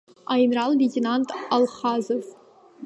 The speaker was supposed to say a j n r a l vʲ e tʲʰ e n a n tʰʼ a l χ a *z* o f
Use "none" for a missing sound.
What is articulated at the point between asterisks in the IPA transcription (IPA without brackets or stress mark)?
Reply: z